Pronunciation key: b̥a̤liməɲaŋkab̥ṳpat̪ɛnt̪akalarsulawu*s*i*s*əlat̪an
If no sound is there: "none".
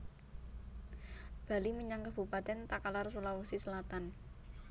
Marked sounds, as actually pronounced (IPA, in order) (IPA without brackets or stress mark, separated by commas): s, s